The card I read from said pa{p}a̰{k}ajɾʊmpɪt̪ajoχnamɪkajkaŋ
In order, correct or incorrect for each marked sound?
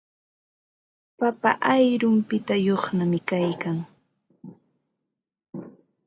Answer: correct, incorrect: ʔ

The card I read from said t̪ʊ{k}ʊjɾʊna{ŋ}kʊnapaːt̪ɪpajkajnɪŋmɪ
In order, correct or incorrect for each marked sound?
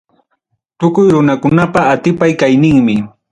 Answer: correct, incorrect: none

